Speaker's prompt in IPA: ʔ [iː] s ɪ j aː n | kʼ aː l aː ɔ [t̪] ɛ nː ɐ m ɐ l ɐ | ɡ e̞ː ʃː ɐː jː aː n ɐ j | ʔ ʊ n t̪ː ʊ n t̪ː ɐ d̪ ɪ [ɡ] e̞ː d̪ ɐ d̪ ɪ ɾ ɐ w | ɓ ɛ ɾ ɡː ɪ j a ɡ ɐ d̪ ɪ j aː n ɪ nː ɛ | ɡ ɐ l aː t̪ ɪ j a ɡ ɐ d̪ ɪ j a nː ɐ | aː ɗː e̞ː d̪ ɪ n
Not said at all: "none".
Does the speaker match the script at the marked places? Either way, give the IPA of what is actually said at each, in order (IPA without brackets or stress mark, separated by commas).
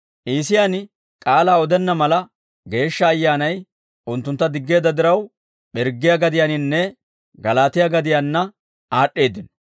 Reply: iː, d̪, ɡː